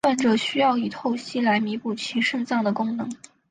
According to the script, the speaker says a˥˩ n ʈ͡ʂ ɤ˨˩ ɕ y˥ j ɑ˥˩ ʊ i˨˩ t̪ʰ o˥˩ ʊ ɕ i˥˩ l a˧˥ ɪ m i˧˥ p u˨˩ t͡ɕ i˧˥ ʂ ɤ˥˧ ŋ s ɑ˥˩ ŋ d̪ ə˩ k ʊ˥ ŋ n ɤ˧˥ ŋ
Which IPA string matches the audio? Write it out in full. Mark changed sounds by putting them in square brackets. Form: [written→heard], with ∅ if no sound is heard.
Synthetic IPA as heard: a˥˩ n ʈ͡ʂ ɤ˨˩ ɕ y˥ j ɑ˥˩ ʊ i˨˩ t̪ʰ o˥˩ ʊ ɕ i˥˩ l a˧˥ ɪ m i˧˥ p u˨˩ [t͡ɕ→t͡ɕʰ] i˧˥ ʂ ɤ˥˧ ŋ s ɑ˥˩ ŋ d̪ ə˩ k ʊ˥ ŋ n ɤ˧˥ ŋ